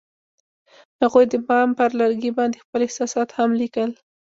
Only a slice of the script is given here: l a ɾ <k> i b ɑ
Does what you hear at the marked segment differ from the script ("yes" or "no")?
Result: yes